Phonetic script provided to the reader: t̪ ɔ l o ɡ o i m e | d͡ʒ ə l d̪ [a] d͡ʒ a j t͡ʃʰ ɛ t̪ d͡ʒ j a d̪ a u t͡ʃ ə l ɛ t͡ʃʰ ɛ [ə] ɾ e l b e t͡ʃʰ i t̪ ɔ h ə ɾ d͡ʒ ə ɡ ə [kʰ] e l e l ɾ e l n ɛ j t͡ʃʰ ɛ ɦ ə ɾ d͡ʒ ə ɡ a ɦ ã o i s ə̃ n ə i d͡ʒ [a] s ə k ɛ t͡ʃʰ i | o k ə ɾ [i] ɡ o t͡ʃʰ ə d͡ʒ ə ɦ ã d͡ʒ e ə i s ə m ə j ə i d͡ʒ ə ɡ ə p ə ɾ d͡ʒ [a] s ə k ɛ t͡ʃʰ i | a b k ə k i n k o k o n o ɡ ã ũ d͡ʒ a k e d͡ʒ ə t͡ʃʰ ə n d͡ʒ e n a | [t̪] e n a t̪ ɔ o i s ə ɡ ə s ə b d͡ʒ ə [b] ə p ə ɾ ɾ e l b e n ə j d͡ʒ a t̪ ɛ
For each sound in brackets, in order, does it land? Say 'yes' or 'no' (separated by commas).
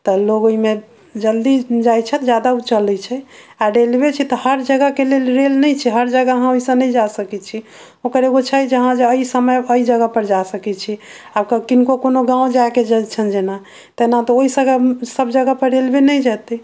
no, no, no, yes, no, yes, yes, no